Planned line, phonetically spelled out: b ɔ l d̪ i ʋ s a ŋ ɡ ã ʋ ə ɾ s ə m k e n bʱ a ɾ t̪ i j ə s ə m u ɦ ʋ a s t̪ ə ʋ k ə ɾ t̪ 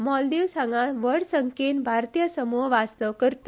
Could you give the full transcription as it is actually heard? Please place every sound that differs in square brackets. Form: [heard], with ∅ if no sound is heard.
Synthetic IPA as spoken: [m] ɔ l d̪ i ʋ s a ŋ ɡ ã ʋ ə [ɽ] s ə [ŋ] k e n bʱ a ɾ t̪ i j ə s ə m u ɦ ʋ a s t̪ ə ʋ k ə ɾ t̪